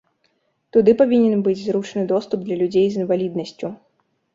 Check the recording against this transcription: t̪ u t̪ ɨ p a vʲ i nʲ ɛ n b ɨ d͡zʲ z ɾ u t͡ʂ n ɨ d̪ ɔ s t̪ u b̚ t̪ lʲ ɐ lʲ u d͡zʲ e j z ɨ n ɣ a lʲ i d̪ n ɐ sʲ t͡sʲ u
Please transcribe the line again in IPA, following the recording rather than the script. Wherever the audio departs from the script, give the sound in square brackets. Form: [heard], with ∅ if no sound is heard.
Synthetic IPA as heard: t̪ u [d̪] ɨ p a vʲ i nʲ ɛ n b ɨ d͡zʲ z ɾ u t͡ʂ n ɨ d̪ ɔ s t̪ u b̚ [d̪] lʲ ɐ lʲ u d͡zʲ e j z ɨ n [v] a lʲ i d̪ n ɐ sʲ t͡sʲ u